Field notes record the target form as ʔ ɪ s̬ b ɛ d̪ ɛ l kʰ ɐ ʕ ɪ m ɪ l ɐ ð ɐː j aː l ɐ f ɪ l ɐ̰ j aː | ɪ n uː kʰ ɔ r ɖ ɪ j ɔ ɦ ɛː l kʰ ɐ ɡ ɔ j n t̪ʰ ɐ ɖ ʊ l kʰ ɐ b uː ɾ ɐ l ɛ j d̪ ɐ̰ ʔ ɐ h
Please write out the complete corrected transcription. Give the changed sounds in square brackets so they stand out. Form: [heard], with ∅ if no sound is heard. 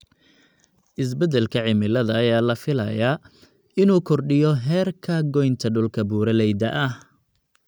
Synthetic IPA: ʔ ɪ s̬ b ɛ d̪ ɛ l kʰ ɐ ʕ ɪ m ɪ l ɐ ð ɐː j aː l ɐ f ɪ l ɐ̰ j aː | ɪ n uː kʰ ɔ r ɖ ɪ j ɔ ɦ ɛː [r] kʰ ɐ ɡ ɔ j n t̪ʰ ɐ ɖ ʊ l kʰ ɐ b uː ɾ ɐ l ɛ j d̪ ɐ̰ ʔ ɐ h